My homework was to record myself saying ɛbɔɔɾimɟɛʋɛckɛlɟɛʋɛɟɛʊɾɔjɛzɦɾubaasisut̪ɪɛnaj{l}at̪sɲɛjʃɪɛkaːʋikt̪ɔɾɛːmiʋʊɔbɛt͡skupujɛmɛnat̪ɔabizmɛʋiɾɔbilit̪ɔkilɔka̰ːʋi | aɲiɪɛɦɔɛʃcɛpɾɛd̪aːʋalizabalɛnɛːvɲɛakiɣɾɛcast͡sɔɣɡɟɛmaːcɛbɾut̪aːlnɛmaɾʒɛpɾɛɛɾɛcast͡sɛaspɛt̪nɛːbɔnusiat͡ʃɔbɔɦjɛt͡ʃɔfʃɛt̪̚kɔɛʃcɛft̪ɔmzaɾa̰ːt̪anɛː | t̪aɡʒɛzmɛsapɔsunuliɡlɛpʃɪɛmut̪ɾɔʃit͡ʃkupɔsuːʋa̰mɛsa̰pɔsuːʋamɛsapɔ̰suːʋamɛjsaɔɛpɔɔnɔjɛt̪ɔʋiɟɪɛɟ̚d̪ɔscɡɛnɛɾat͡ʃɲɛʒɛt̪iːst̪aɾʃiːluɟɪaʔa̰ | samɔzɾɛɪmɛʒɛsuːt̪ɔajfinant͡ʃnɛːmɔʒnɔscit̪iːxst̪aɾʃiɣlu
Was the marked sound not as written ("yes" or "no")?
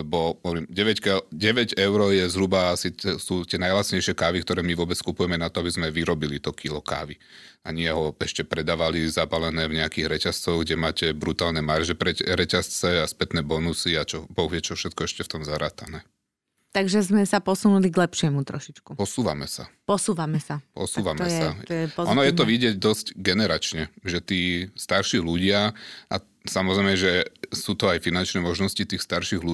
no